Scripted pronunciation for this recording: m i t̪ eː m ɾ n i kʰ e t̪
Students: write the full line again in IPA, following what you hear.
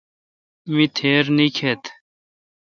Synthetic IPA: m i t̪ʰ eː ɾ n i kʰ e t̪